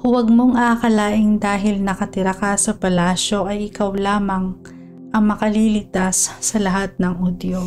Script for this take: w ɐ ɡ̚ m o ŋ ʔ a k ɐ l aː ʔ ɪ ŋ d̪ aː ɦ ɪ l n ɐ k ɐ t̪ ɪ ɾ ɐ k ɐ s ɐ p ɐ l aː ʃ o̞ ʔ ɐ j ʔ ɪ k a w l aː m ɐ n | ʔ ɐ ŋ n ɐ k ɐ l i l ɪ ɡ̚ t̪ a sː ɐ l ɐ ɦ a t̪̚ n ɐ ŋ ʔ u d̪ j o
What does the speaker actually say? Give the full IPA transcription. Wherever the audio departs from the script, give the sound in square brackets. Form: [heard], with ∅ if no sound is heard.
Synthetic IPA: w ɐ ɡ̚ m o ŋ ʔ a k ɐ l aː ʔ ɪ ŋ d̪ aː ɦ ɪ l n ɐ k ɐ t̪ ɪ ɾ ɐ k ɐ s ɐ p ɐ l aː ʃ o̞ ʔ ɐ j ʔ ɪ k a w l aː m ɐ [ŋ] | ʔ ɐ ŋ [m] ɐ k ɐ l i l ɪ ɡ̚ t̪ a sː ɐ l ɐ ɦ a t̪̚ n ɐ ŋ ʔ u d̪ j o